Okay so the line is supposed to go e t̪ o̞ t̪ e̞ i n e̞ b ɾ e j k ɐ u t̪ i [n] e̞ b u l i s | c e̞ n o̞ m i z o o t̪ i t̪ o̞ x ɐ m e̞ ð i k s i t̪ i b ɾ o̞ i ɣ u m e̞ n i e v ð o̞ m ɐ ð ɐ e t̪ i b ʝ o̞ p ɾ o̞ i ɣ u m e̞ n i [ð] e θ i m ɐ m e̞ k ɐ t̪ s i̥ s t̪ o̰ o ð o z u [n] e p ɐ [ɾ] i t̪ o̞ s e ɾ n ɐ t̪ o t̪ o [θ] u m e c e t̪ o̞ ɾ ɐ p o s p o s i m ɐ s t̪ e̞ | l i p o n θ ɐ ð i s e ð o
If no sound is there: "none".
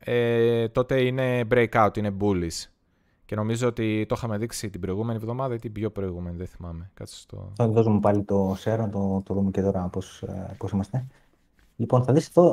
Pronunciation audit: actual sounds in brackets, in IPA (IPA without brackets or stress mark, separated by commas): n, ð, m, l, ð